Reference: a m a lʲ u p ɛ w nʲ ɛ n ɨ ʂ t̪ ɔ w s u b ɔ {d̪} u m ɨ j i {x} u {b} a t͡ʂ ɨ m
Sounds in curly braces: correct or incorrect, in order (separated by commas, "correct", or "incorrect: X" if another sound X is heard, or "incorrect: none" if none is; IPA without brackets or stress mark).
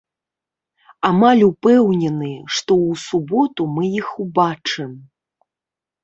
incorrect: t̪, correct, correct